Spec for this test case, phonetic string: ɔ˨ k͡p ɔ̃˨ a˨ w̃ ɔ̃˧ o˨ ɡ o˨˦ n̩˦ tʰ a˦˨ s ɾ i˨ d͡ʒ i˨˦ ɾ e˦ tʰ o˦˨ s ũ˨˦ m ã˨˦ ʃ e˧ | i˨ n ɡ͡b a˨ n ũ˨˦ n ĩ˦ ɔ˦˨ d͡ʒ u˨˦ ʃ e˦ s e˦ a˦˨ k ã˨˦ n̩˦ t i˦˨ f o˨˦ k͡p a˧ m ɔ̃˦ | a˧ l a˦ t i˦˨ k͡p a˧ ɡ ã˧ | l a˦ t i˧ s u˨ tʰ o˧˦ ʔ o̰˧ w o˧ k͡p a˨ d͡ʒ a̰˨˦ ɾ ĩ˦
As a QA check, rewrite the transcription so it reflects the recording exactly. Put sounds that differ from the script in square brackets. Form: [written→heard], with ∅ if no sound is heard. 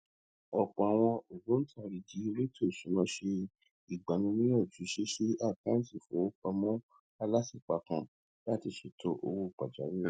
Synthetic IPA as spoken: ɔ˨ k͡p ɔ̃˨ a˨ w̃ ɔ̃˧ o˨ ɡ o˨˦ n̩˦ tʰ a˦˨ [s→∅] ɾ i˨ d͡ʒ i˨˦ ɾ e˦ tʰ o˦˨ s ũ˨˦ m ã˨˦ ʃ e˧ | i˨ [n→∅] ɡ͡b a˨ n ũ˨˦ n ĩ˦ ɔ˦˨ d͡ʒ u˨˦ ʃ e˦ [s→ʃ] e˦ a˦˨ k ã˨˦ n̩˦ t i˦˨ f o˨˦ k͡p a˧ m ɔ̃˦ | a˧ l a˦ [t→s] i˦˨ k͡p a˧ [ɡ→k] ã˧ | l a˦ t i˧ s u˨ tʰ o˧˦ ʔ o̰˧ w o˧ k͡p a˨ d͡ʒ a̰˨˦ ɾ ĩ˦